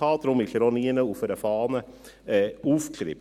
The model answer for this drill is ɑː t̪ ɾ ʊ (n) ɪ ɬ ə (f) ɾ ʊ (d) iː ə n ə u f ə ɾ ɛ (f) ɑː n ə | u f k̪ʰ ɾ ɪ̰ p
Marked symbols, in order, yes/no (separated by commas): no, no, no, yes